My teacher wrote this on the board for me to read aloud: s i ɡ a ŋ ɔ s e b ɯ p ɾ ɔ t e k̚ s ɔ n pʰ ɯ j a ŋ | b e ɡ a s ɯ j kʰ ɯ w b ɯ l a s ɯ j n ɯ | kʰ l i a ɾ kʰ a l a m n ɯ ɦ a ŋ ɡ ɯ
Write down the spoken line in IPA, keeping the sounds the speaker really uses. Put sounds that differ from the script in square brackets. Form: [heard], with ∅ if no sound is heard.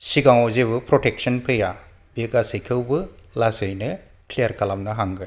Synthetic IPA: s i ɡ a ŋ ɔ [z] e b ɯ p ɾ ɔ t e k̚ s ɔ n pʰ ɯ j a [∅] | b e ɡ a s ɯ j kʰ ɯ w b ɯ l a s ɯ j n ɯ | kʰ l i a ɾ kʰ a l a m n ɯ ɦ a ŋ ɡ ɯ